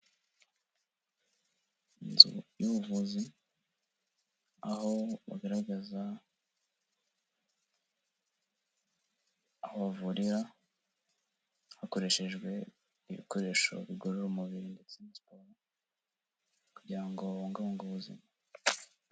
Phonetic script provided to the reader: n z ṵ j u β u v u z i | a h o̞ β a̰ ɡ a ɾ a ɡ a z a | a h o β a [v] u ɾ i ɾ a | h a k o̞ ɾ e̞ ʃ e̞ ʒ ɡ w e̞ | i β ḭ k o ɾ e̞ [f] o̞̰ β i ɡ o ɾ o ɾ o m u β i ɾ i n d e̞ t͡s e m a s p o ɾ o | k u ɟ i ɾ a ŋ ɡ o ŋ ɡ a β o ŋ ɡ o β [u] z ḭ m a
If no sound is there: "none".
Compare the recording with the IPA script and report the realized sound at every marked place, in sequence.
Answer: v, ʃ, u

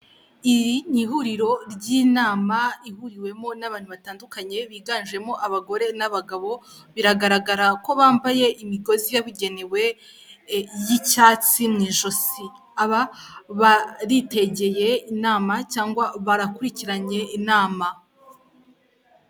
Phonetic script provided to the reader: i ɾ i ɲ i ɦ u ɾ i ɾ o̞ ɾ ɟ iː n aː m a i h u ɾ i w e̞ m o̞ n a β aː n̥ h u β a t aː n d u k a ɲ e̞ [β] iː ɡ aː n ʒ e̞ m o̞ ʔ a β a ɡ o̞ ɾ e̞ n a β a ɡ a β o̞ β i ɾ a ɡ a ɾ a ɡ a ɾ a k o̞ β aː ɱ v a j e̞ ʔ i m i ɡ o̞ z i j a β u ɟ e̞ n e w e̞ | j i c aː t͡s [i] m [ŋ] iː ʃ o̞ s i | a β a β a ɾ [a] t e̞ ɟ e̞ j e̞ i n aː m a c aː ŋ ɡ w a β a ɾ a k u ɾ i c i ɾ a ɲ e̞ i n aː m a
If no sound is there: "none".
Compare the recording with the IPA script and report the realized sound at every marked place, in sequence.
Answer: β, i, ŋ, i

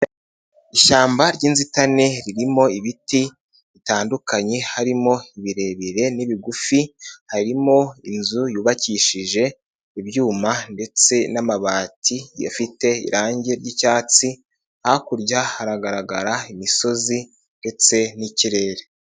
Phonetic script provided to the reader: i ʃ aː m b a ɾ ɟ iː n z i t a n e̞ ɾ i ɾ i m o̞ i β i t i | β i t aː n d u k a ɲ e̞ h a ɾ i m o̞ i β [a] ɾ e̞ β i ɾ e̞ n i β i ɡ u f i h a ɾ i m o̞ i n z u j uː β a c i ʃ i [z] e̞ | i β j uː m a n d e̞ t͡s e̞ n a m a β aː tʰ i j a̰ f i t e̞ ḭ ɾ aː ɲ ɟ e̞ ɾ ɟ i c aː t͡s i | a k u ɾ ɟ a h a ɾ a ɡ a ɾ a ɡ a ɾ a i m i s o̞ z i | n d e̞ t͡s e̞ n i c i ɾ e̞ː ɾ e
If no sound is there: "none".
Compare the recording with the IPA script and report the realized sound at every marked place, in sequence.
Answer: i, ʒ

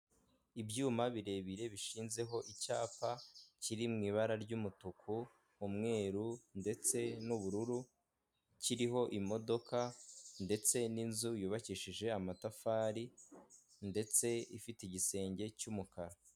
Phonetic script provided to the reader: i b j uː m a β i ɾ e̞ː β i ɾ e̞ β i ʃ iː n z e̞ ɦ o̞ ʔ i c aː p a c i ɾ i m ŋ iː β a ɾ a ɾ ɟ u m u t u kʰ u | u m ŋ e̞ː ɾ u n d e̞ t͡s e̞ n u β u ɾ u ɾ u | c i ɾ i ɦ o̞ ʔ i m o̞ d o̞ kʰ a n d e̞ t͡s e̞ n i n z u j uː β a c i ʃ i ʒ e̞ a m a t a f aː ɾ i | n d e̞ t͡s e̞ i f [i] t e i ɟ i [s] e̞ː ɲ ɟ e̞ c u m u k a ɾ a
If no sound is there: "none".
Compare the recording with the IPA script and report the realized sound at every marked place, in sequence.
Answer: i, s

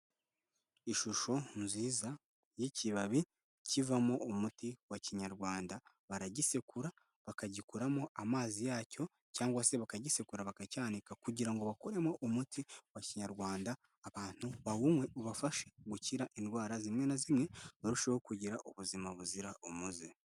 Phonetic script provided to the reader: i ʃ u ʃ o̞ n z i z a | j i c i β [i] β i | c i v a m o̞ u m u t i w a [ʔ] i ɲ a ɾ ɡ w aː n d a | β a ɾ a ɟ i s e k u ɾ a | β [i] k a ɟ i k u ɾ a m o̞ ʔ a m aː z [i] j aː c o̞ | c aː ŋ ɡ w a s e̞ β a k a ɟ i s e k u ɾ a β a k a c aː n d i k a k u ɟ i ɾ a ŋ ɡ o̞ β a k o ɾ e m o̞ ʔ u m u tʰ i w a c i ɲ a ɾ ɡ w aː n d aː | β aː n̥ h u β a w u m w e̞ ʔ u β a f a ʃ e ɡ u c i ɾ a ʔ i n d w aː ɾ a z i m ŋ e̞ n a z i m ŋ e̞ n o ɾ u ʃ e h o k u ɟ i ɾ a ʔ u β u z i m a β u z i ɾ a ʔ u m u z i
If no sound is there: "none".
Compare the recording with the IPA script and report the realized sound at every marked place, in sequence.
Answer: a, c, a, i

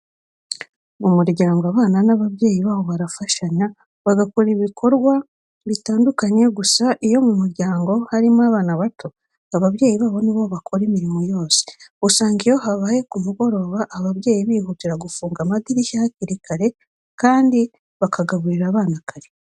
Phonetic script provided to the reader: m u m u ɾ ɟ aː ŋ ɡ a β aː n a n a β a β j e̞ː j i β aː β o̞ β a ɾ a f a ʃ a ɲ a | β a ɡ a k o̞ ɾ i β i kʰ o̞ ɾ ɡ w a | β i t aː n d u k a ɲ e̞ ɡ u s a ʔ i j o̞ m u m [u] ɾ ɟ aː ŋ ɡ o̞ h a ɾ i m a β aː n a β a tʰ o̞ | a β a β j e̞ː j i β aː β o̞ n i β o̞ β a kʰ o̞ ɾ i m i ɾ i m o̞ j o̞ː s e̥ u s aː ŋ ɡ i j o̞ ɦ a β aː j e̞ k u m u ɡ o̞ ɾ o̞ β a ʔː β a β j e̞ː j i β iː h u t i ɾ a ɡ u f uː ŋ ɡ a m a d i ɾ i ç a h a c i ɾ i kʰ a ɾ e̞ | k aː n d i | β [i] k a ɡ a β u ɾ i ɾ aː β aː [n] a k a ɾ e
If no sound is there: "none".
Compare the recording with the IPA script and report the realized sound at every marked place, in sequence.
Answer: u, a, n

